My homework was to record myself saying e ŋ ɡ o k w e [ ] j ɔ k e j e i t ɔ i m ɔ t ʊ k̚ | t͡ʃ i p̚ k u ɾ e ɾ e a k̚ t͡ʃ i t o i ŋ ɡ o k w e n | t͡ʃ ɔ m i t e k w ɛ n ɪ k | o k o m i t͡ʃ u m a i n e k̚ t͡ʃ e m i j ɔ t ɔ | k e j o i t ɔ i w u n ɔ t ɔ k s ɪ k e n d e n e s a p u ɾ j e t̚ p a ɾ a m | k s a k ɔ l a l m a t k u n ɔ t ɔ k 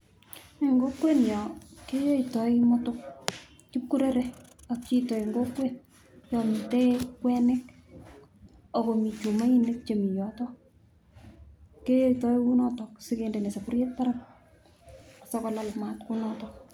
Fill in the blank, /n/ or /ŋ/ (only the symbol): n